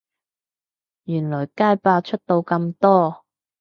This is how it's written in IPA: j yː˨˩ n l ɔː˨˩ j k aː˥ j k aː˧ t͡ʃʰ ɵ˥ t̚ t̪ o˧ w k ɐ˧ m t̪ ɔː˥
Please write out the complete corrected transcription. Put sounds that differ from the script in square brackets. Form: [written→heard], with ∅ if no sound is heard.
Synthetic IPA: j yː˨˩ n l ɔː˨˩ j k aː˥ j [k→p] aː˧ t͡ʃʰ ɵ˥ t̚ t̪ o˧ w k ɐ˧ m t̪ ɔː˥